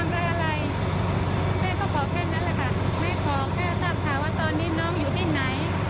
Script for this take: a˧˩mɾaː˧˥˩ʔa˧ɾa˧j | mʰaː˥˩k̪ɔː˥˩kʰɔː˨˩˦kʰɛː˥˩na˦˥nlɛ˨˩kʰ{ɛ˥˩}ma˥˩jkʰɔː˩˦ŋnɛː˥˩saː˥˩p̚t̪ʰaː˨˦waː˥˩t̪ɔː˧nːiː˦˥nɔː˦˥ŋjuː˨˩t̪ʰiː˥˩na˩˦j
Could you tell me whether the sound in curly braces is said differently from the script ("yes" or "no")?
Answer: yes